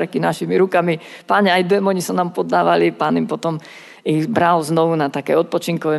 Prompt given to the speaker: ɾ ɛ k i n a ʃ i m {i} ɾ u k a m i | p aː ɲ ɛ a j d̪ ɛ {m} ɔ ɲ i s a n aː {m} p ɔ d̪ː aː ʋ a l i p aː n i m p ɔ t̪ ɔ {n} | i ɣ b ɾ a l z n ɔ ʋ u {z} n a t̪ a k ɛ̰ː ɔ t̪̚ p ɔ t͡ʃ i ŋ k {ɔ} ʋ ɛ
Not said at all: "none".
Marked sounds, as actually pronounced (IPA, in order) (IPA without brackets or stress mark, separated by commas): i, m, m, m, none, ɔ